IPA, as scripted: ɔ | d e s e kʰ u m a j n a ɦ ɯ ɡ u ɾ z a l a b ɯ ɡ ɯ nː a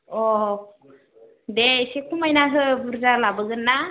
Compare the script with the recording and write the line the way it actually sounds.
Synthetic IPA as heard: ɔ | d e s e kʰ u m a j n a ɦ ɯ b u ɾ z a l a b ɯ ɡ ɯ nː a